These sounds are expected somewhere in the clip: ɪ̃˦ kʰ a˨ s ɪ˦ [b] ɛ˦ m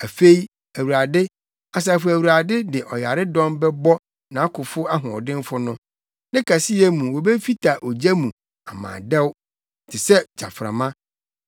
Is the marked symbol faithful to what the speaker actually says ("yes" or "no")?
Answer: no